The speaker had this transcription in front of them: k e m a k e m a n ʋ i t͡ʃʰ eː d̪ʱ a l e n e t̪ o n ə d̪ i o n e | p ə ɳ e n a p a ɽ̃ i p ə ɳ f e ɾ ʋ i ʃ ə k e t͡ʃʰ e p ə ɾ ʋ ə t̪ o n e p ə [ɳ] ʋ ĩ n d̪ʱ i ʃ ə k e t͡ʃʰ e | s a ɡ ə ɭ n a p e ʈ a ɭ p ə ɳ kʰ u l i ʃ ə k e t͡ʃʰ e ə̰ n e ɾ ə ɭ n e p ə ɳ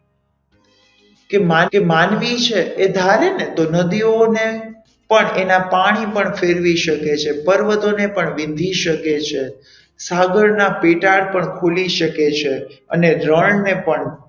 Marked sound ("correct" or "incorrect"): correct